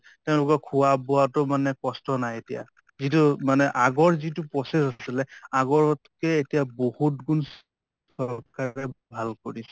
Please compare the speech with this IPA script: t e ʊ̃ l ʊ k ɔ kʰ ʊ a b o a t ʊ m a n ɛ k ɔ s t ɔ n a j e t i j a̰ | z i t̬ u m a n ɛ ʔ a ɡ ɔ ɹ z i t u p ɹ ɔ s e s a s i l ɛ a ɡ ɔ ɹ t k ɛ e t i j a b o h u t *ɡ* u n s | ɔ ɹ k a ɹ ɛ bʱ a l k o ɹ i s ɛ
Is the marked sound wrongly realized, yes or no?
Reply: no